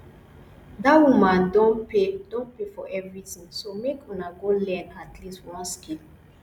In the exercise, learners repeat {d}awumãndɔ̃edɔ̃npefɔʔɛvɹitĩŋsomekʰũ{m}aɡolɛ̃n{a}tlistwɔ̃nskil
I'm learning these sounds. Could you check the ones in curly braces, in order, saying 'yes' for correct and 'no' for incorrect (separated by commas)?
yes, no, yes